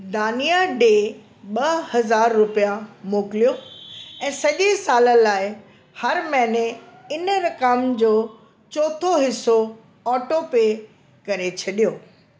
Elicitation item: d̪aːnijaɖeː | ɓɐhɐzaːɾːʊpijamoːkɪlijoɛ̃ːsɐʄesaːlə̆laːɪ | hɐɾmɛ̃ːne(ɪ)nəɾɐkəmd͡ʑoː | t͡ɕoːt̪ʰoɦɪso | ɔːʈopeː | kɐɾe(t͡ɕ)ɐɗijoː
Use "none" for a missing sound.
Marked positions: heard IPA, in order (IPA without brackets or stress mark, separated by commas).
ɪ, t͡ɕʰ